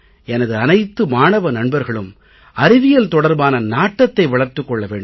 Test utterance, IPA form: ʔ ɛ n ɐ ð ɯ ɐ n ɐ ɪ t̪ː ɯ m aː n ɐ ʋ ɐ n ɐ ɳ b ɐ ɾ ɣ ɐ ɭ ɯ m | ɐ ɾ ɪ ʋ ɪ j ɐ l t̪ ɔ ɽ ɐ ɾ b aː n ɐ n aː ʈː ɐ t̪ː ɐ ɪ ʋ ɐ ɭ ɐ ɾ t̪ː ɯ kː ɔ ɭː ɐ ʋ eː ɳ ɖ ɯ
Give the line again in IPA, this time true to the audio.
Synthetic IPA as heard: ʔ ɛ n ɐ ð ɯ ɐ n ɐ ɪ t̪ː ɯ m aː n ɐ ʋ ɐ n ɐ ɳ b ɐ ɾ ɣ ɐ ɭ ɯ m | ɐ ɾ ɪ ʋ ɪ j ɐ l t̪ ɔ ɽ ɐ ɾ b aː n ɐ n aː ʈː ɐ t̪ː ɐ ɪ ʋ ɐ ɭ ɐ ɾ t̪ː ɯ kː ɔ ɭː ɐ ʋ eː ɳ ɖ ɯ